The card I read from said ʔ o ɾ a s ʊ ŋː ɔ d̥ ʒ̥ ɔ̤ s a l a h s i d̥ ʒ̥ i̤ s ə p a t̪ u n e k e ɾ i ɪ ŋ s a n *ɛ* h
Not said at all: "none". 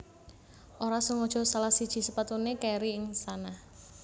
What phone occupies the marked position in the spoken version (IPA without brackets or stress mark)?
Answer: a